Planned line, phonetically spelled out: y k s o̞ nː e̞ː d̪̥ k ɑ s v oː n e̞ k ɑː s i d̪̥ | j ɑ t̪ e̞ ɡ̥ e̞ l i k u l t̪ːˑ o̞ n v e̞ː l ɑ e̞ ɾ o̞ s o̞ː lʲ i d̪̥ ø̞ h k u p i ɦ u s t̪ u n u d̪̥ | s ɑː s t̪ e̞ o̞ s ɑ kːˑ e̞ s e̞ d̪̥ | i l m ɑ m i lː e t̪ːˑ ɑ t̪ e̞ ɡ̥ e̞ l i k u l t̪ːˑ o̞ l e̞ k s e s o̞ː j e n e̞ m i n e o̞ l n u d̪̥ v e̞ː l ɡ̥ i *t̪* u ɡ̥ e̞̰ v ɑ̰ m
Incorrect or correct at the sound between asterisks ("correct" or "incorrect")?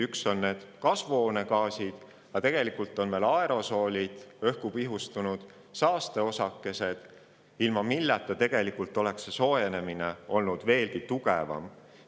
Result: correct